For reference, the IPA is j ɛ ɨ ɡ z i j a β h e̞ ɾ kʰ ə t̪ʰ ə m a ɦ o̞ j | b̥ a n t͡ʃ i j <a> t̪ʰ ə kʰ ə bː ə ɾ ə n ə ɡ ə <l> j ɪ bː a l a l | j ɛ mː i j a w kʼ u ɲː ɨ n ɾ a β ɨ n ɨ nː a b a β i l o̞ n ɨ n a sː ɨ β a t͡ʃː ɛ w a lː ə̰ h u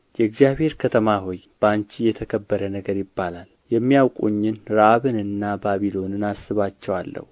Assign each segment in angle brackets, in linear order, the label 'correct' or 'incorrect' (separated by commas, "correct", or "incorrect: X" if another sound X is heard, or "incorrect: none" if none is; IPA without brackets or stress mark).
incorrect: ɛ, incorrect: ɾ